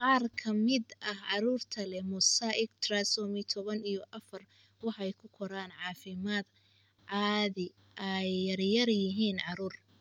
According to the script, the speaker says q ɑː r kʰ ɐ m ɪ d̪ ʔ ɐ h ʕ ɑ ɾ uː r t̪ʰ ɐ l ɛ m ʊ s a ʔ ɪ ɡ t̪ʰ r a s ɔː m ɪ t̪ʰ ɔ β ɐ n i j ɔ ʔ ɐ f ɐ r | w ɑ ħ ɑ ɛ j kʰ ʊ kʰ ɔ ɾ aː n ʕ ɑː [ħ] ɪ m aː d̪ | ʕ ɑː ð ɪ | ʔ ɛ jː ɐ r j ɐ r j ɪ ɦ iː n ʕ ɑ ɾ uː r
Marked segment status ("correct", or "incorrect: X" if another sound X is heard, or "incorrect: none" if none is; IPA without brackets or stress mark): incorrect: f